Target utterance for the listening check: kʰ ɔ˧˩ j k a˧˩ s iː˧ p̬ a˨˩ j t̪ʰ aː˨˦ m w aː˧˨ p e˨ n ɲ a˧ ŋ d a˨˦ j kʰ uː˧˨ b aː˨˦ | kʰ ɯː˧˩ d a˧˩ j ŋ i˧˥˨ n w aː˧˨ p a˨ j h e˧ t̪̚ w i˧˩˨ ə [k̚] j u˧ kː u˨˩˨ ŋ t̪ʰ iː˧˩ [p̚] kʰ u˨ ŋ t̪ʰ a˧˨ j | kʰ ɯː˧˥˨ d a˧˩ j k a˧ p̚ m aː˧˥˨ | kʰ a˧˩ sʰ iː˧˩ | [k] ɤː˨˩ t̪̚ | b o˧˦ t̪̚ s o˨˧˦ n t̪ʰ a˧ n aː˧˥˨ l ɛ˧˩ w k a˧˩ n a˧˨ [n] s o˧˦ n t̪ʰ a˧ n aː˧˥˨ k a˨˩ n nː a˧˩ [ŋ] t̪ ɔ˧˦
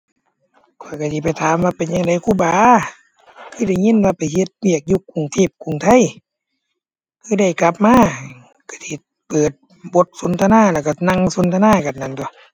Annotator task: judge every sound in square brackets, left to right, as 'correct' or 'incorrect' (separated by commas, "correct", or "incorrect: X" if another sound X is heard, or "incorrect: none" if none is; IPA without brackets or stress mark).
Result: correct, correct, incorrect: p, incorrect: ŋ, incorrect: n